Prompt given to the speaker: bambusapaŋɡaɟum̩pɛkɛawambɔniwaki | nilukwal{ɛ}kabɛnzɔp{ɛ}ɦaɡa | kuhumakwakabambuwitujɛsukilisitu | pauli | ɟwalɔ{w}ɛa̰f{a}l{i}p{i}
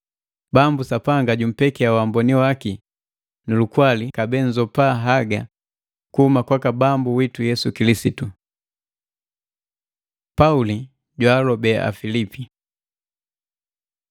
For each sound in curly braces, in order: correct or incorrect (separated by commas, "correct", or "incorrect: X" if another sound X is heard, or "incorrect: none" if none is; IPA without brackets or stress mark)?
incorrect: i, incorrect: a, incorrect: b, incorrect: i, correct, correct